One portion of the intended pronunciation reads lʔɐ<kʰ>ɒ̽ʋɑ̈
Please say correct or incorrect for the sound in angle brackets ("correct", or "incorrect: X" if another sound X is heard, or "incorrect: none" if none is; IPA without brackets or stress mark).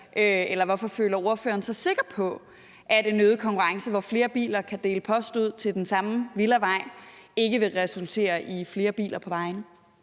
incorrect: pʰ